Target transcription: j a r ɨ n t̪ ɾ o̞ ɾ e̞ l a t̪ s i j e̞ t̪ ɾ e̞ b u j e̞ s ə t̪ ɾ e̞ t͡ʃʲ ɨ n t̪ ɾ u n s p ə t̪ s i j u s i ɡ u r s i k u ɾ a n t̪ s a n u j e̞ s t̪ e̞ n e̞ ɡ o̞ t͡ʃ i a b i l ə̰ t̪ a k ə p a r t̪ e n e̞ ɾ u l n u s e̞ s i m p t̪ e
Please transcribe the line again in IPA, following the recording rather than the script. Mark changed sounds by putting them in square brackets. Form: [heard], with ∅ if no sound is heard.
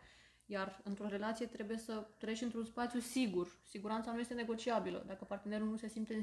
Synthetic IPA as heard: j a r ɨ n t̪ ɾ o̞ ɾ e̞ l a t̪ s i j e̞ t̪ ɾ e̞ b u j e̞ s ə t̪ ɾ e̞ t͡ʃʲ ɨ n t̪ ɾ u n s p [a] t̪ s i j u s i ɡ u r s i [ɡ] u ɾ a n t̪ s a n u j e̞ s t̪ e̞ n e̞ ɡ o̞ t͡ʃ i a b i l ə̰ [d̪] a k ə p a r t̪ e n e̞ ɾ u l n u s e̞ s i m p t̪ e